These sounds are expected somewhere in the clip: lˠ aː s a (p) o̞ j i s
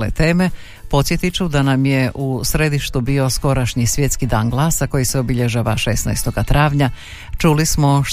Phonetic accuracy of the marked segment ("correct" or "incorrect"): incorrect